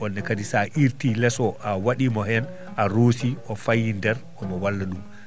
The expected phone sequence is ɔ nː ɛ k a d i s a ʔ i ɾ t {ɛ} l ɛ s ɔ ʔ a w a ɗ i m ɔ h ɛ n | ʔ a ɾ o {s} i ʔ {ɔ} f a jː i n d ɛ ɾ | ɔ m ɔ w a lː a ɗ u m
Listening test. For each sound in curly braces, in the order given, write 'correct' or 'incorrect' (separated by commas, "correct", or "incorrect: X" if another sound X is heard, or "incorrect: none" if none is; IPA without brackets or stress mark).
incorrect: i, correct, correct